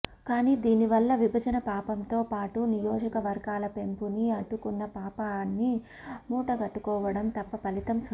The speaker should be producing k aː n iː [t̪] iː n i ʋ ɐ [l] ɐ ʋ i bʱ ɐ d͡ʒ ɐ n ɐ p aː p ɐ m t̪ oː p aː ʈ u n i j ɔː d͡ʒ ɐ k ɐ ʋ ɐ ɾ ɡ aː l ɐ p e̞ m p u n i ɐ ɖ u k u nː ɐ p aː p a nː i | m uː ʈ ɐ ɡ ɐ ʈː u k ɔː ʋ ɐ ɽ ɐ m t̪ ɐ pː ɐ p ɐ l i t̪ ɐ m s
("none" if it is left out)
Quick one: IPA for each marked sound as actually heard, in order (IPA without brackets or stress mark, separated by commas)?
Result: d̪, lː